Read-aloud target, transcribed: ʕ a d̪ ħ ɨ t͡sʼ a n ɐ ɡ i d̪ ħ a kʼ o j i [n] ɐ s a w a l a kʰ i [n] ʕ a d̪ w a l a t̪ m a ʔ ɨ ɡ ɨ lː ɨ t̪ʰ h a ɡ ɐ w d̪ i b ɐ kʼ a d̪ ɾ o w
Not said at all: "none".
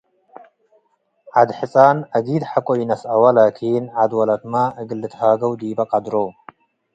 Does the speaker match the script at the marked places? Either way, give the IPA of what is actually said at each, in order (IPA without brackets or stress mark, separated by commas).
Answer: n, n